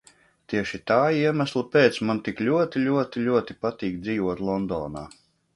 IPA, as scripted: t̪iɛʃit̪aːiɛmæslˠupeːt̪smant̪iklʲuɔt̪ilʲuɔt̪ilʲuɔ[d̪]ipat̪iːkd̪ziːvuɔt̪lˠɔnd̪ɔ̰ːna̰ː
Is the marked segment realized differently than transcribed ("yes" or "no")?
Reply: yes